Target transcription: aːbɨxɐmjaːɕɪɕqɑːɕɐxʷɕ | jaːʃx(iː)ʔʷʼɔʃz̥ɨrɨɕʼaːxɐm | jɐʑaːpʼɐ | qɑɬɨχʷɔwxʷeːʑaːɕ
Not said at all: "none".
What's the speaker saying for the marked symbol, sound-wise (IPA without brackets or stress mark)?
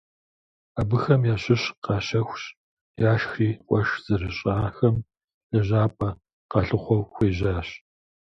iː